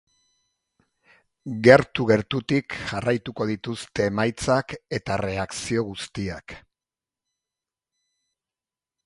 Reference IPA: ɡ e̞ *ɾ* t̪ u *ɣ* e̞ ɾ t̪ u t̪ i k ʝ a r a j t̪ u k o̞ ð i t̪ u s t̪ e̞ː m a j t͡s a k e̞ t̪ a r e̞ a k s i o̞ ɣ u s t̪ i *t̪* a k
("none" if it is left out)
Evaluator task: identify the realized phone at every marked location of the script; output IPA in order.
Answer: ɾ, ɣ, none

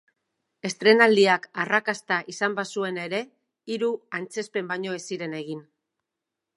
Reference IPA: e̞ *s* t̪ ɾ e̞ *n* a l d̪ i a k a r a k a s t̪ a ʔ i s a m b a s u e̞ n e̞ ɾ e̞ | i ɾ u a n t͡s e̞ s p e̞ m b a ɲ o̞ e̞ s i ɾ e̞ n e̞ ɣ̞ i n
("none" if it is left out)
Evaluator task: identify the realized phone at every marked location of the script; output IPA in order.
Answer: s, n

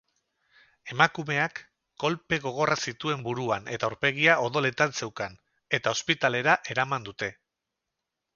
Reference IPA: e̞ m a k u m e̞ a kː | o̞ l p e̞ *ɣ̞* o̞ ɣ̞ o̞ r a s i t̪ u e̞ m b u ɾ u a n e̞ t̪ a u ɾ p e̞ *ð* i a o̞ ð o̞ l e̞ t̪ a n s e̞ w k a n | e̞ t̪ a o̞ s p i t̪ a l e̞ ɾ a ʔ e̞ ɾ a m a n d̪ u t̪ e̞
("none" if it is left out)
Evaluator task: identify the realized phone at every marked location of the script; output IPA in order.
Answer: ɣ̞, ɣ

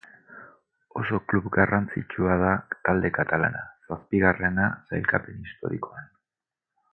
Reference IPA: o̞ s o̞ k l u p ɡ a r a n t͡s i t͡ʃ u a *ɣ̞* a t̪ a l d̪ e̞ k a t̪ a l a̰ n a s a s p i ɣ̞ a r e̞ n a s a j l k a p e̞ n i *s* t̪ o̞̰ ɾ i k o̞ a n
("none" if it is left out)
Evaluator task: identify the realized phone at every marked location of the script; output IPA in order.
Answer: ð̞, s

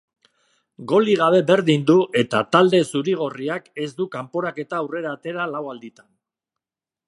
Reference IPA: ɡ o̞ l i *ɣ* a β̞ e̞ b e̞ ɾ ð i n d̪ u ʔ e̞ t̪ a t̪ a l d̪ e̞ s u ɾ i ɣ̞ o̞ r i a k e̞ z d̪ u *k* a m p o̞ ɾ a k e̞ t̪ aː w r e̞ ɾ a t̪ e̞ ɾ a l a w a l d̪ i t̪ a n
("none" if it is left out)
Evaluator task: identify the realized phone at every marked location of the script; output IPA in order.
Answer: ɣ, k

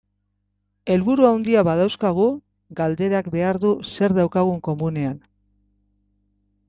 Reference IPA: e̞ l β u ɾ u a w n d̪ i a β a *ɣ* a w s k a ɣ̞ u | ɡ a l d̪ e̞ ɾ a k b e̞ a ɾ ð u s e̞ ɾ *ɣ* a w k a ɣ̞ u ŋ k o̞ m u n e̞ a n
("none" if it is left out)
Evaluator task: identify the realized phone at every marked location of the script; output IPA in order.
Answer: ð, ð

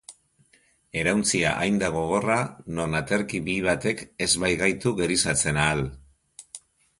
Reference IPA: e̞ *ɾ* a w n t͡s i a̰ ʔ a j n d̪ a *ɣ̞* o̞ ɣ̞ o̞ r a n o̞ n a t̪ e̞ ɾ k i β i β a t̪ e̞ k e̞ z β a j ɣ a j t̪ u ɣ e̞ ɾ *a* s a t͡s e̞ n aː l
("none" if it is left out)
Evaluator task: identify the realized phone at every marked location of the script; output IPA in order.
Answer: ɾ, ɣ̞, i

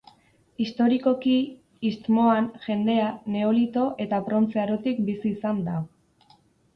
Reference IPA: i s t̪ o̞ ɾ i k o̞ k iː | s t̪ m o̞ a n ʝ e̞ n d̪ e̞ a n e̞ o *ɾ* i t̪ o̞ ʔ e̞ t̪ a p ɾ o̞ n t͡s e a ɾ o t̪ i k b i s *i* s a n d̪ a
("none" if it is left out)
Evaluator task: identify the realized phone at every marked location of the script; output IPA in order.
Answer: l, iː

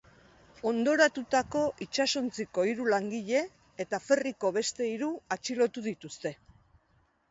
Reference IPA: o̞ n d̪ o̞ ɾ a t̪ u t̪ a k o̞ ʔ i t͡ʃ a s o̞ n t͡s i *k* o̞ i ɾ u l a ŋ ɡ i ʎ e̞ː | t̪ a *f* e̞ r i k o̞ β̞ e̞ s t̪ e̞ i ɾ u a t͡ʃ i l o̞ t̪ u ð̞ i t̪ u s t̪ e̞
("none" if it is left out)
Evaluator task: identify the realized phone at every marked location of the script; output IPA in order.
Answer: k, f

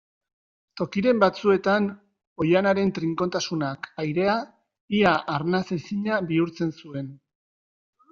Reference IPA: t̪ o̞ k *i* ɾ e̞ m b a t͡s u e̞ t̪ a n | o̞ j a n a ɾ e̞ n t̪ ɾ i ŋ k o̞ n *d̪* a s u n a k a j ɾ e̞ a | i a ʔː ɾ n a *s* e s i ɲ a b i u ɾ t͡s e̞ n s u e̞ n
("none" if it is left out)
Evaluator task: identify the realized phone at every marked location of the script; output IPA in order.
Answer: i, t̪, s

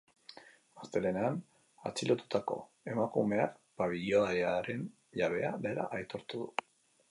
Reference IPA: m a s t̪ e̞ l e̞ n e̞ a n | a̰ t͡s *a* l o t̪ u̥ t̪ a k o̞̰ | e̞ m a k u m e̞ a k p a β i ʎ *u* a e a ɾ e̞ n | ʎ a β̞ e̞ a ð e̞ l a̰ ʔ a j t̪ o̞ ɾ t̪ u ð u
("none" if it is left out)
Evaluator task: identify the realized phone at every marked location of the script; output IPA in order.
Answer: i, o

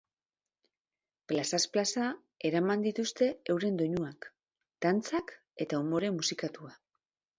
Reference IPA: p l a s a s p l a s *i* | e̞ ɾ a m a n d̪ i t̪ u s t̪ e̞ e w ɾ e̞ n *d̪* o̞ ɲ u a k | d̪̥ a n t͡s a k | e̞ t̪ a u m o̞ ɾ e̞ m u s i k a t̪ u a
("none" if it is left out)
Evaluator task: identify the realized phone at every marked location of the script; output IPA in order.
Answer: a, d̪

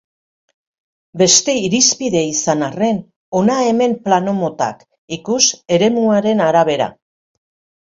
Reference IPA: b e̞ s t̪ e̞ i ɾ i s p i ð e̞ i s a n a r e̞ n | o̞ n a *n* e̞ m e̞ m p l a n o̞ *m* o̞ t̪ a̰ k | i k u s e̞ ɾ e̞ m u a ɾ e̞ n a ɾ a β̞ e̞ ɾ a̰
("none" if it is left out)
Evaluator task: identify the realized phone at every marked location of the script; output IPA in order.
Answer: none, m

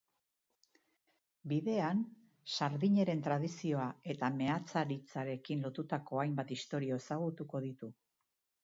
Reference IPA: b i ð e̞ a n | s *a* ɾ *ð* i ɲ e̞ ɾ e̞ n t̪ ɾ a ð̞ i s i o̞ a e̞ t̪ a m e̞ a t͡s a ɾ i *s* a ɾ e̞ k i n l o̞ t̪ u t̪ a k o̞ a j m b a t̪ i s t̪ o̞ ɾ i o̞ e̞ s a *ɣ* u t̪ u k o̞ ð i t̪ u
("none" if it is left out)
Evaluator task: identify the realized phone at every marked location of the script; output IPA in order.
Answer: a, ð, t͡s, ɣ

